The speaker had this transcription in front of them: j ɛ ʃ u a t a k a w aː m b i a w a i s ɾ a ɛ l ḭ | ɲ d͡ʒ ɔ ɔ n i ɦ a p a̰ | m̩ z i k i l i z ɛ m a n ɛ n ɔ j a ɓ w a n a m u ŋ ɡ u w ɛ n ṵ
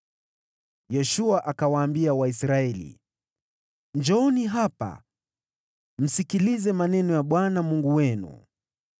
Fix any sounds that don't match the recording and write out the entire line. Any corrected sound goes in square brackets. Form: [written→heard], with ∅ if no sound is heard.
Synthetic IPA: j ɛ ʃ u a [t→ʔ] a k a w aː m b i a w a i s ɾ a ɛ l ḭ | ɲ d͡ʒ ɔ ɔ n i ɦ a p a̰ | m̩ [z→s] i k i l i z ɛ m a n ɛ n ɔ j a ɓ w a n a m u ŋ ɡ u w ɛ n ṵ